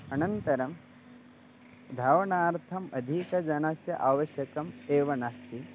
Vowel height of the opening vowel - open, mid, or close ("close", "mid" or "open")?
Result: open